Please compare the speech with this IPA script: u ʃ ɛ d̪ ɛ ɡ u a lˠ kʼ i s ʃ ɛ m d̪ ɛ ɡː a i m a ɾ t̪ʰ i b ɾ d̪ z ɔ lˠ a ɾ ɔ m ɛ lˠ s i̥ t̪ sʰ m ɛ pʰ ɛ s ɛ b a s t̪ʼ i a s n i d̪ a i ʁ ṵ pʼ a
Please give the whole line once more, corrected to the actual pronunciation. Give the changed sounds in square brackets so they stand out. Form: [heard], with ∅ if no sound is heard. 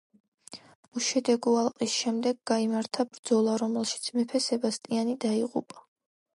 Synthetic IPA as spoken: u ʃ ɛ d̪ ɛ ɡ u a lˠ [qʼ] i s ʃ ɛ m d̪ ɛ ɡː a i m a ɾ t̪ʰ [a] b ɾ d̪ z ɔ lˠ a ɾ ɔ m ɛ lˠ [ʃ] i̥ t̪ sʰ m ɛ pʰ ɛ s ɛ b a s t̪ʼ i a [∅] n i d̪ a i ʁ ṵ pʼ a